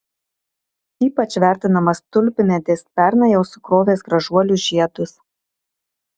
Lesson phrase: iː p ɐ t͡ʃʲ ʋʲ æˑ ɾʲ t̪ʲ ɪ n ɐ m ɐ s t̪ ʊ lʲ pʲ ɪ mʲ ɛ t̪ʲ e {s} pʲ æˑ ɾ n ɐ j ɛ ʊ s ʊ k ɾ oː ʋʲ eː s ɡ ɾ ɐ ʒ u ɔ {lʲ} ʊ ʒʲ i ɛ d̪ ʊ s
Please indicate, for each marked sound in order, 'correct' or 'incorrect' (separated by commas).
correct, correct